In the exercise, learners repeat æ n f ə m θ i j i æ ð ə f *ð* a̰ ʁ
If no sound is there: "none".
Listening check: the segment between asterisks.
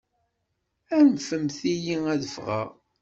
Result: ʁ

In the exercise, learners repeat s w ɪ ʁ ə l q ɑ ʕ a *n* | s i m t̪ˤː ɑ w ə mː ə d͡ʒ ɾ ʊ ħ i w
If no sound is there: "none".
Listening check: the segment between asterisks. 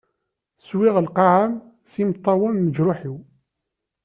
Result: m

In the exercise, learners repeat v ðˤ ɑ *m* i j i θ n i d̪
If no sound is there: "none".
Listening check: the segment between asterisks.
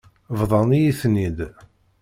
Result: n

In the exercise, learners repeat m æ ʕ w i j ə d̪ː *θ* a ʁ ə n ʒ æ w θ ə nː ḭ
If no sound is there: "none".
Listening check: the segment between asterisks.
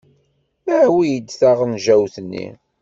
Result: θ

